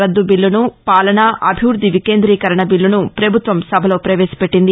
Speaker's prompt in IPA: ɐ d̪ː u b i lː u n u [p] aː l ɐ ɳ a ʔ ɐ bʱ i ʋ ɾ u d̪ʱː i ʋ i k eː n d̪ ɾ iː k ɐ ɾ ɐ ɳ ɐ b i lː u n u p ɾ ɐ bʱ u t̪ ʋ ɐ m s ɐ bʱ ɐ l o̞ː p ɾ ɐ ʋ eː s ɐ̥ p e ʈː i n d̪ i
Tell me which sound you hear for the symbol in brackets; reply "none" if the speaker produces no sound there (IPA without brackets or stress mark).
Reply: p